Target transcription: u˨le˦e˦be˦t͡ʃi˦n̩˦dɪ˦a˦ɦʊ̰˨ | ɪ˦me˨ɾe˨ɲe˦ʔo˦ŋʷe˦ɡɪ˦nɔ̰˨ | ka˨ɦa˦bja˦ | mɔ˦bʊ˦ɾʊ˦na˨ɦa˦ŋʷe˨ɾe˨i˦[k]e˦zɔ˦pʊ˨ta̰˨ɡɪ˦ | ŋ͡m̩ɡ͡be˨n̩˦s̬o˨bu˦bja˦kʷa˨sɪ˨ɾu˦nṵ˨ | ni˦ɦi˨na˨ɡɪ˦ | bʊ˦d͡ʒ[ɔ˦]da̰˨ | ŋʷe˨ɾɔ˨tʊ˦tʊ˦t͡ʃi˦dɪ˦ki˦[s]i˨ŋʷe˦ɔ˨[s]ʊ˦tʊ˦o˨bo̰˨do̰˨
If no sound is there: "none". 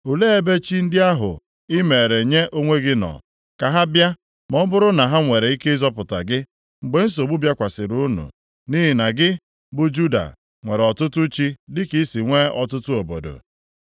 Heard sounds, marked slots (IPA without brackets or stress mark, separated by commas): k, u˦, s, t